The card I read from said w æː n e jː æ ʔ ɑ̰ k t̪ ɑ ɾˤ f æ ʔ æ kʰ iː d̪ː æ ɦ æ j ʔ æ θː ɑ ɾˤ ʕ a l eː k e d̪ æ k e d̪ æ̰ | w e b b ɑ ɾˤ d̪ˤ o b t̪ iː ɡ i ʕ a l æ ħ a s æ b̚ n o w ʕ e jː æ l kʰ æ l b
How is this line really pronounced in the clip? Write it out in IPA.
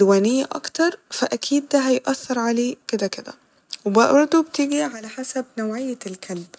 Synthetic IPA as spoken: w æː n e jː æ ʔ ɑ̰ k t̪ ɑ ɾˤ f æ ʔ æ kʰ iː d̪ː æ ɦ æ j ʔ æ θː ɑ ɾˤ ʕ a l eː k e d̪ æ k e d̪ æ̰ | w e b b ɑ ɾˤ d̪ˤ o b t̪ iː ɡ i ʕ a l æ ħ a s æ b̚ n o w ʕ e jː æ l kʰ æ l b